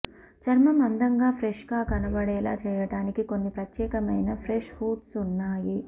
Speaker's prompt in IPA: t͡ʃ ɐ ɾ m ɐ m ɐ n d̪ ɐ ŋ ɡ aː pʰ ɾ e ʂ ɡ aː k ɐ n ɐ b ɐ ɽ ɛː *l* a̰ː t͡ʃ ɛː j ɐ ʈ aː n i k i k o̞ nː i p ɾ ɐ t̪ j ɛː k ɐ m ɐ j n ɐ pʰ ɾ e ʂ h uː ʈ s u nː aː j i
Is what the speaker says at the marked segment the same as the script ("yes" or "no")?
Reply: yes